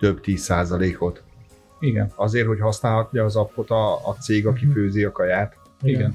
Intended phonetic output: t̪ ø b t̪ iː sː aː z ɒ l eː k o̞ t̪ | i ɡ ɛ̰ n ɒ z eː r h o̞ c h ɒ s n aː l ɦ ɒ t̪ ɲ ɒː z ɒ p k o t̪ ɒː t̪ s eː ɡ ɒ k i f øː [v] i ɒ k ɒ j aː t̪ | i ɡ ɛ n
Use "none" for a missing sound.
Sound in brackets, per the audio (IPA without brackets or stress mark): z